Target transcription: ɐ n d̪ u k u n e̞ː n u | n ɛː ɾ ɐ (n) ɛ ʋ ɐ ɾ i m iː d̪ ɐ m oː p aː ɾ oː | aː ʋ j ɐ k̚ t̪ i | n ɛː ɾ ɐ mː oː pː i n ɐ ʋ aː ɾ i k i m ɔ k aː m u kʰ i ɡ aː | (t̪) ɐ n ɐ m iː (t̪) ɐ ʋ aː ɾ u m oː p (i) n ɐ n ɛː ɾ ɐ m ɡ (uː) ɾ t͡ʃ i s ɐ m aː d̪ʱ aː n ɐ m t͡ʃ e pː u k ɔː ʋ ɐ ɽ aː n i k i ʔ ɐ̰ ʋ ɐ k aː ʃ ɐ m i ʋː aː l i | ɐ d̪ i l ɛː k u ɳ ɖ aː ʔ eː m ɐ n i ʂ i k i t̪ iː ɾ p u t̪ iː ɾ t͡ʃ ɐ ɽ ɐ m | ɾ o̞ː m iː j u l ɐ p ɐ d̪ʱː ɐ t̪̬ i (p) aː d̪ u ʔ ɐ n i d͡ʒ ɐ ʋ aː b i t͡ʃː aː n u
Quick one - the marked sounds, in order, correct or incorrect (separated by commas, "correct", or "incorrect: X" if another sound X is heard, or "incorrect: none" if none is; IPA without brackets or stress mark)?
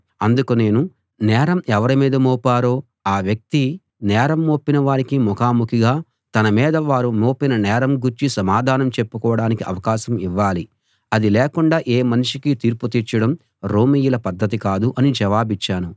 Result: incorrect: m, correct, incorrect: d̪, correct, incorrect: u, incorrect: k